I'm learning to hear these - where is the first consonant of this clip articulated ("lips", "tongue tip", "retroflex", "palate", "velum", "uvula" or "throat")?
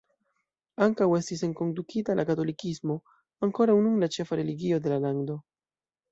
velum